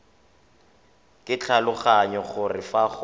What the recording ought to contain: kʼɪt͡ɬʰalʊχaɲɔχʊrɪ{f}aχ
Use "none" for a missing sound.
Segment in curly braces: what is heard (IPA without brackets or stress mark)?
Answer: f